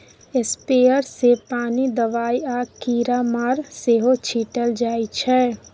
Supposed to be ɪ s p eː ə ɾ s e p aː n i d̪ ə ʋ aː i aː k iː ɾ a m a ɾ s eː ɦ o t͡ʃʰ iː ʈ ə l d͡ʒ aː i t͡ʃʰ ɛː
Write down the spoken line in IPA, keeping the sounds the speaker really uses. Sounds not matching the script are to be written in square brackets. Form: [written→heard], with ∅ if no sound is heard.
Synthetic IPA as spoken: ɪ s p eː ə ɾ s e p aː n i d̪ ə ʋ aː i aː k iː ɾ a m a ɾ s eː ɦ o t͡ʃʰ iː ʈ ə l d͡ʒ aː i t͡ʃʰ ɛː